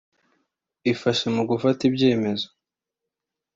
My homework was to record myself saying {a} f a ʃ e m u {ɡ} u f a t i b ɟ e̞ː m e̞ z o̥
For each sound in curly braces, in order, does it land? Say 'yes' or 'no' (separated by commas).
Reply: no, yes